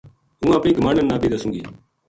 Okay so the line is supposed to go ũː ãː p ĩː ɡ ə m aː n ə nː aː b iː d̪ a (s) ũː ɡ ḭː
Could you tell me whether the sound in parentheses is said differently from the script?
no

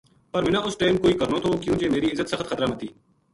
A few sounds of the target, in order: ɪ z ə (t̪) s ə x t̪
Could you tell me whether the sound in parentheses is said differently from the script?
no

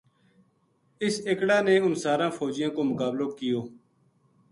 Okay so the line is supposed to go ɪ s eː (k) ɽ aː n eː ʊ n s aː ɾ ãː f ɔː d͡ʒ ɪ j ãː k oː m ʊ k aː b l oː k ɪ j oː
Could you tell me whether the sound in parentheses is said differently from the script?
no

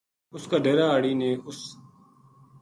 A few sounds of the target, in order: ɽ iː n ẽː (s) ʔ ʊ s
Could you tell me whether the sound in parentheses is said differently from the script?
yes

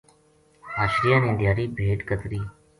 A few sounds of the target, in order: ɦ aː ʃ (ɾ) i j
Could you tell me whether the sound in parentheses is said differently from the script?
no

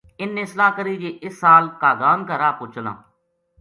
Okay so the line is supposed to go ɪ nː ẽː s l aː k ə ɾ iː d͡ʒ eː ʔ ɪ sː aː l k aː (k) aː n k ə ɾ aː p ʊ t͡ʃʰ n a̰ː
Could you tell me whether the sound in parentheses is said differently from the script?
yes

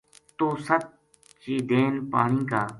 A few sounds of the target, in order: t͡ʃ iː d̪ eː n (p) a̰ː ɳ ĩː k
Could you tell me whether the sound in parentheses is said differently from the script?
no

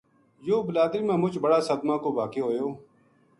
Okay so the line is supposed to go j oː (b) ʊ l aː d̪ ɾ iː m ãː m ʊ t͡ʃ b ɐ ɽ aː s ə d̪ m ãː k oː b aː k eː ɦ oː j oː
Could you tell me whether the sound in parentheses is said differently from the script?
no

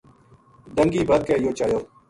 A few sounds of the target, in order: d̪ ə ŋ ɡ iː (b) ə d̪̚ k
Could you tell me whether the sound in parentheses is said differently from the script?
no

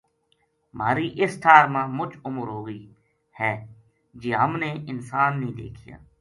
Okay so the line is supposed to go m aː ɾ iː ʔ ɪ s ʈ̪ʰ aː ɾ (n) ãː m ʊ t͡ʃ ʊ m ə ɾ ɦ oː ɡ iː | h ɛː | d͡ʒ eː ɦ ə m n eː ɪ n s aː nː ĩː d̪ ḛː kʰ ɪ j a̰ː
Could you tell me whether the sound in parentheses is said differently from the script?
yes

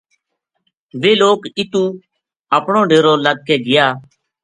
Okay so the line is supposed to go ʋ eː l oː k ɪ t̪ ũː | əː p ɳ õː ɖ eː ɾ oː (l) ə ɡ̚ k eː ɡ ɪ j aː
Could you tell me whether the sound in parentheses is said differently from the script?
no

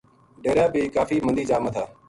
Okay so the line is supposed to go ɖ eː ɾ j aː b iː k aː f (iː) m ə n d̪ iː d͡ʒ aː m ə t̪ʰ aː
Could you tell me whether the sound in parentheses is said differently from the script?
no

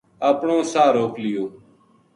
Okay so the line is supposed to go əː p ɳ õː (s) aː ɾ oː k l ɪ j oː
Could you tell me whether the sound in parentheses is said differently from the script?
no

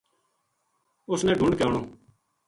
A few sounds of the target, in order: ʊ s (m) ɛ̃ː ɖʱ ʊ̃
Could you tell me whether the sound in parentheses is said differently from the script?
yes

